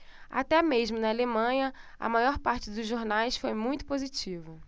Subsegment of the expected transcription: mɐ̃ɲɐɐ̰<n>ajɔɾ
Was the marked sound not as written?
yes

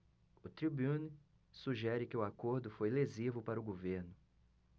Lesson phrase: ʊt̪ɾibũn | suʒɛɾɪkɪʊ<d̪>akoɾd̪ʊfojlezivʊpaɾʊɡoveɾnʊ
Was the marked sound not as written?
yes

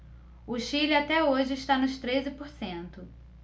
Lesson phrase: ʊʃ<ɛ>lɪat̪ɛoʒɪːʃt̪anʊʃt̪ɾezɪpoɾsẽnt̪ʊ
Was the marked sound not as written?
yes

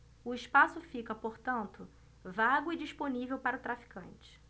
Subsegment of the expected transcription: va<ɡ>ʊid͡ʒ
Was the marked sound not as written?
no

